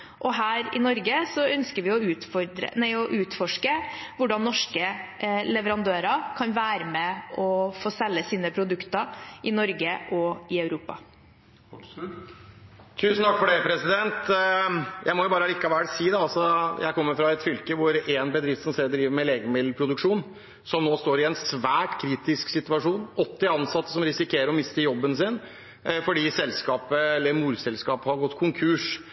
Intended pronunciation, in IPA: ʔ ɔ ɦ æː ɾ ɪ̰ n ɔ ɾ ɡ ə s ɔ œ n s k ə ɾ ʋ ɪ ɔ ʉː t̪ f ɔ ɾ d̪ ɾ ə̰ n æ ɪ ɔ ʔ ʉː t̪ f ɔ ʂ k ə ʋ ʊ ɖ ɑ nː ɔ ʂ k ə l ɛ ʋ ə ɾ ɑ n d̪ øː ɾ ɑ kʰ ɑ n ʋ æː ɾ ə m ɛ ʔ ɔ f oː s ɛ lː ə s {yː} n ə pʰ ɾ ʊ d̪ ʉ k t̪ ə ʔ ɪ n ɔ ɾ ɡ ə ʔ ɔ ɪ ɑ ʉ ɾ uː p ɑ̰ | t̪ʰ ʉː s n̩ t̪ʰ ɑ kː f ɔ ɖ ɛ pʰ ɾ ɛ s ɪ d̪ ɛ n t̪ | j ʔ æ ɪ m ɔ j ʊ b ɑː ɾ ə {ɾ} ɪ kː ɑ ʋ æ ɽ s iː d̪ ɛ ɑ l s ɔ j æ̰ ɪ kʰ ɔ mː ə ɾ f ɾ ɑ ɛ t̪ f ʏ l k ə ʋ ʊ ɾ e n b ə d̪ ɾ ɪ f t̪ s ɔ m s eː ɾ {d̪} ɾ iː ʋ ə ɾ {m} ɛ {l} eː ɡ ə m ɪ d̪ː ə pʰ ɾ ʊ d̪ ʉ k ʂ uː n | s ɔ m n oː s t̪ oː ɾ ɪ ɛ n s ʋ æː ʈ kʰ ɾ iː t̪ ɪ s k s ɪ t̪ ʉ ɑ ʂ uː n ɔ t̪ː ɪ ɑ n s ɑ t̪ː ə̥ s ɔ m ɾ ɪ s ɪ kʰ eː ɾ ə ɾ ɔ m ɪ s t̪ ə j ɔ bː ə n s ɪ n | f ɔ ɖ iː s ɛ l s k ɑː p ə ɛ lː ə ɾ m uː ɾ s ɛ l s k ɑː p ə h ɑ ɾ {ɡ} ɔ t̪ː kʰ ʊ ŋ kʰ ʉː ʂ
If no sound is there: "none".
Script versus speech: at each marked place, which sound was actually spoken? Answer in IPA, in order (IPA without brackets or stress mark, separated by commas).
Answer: iː, l, d̪, m, l, ɡ